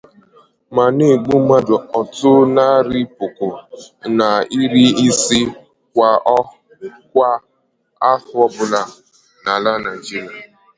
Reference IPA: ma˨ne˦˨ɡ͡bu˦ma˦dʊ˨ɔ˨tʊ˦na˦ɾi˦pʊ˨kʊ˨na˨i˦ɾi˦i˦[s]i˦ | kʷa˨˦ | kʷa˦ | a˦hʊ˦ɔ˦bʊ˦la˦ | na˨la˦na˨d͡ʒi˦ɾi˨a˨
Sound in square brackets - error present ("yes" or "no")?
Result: no